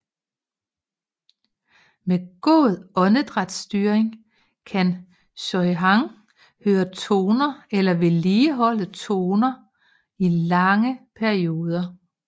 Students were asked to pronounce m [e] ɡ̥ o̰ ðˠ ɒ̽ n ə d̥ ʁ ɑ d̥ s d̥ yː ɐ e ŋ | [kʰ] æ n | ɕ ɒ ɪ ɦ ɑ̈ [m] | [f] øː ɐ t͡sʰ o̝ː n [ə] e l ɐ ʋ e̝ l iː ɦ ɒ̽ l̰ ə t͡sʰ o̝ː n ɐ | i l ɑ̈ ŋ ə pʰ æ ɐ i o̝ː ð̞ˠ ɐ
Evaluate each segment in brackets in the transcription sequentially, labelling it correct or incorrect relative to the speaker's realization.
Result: correct, correct, incorrect, incorrect, incorrect

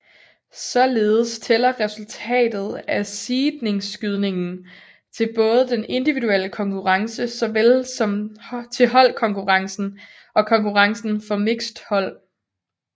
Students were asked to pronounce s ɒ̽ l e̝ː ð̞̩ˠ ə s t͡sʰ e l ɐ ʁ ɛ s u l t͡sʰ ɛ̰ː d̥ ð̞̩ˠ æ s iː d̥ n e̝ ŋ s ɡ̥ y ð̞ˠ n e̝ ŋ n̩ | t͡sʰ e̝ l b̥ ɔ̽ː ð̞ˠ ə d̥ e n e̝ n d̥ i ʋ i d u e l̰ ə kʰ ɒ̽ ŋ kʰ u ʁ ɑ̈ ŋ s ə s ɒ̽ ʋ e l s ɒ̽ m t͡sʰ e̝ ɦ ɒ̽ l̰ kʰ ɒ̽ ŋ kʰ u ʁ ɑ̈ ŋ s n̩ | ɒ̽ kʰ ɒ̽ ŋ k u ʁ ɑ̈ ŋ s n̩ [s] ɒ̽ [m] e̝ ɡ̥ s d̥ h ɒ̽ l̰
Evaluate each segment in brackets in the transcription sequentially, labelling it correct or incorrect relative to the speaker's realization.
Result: incorrect, correct

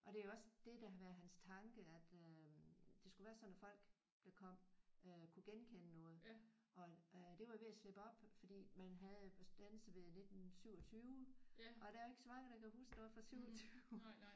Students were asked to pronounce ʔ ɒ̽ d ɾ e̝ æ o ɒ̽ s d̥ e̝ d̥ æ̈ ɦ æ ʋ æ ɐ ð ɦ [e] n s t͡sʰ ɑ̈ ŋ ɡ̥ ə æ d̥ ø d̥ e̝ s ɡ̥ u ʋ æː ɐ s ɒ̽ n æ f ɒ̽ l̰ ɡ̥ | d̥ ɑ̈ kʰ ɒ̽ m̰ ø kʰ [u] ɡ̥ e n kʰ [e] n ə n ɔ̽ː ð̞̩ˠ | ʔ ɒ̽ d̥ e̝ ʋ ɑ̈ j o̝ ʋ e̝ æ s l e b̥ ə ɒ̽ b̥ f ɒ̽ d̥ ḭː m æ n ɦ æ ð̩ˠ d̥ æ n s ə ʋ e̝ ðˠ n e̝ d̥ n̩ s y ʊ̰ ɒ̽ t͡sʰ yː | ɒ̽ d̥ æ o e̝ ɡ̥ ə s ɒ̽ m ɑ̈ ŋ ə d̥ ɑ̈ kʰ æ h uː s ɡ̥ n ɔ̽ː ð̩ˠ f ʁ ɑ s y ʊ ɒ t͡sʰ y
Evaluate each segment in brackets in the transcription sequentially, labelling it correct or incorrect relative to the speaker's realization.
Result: incorrect, correct, correct

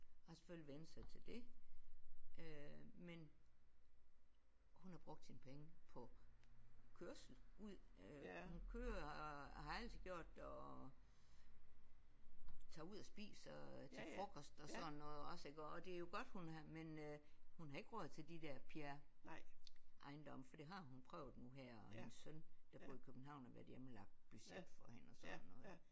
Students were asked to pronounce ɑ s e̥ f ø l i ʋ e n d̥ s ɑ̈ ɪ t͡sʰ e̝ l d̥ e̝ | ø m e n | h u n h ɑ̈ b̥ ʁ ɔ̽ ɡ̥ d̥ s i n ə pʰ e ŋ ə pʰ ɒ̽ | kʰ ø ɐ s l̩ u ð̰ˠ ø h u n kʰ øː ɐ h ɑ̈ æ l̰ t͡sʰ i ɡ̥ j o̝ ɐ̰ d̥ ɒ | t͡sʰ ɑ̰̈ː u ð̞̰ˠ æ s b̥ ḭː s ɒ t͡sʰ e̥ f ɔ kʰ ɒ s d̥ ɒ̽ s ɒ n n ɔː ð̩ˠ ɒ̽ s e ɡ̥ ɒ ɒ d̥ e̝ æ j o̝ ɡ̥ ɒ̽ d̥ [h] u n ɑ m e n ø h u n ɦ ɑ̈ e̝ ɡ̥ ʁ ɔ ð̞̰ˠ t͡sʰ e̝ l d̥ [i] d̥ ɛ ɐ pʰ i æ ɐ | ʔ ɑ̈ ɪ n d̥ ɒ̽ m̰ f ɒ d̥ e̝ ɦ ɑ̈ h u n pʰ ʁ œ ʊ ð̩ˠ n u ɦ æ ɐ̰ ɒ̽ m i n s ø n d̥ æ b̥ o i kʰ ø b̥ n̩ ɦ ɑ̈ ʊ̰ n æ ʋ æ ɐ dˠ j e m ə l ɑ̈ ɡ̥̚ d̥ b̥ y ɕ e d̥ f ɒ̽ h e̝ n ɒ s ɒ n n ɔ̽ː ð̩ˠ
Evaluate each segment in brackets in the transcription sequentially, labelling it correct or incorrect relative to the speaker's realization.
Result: correct, correct

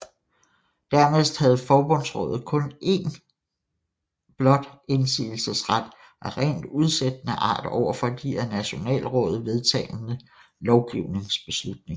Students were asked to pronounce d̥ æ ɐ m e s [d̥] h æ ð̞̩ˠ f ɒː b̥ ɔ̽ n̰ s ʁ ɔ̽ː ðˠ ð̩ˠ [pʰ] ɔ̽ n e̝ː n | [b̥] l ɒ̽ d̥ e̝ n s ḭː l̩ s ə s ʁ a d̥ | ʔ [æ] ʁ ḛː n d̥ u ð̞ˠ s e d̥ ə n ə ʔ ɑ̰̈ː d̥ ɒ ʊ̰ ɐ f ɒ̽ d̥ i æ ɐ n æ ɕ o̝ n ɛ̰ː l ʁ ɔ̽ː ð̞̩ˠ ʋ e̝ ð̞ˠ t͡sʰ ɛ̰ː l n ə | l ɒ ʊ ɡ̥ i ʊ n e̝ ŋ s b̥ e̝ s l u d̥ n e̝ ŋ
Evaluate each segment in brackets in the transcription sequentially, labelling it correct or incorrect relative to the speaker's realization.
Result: correct, incorrect, correct, correct

